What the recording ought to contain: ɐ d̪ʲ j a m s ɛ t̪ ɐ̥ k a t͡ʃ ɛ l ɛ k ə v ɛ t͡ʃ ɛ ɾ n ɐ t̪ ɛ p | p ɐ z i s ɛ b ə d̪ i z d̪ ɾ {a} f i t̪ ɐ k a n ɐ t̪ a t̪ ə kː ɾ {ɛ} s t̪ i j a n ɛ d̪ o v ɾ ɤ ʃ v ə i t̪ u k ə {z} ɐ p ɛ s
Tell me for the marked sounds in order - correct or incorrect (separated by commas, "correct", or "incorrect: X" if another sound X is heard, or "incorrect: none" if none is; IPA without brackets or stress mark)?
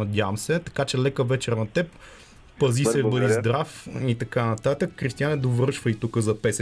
correct, incorrect: i, correct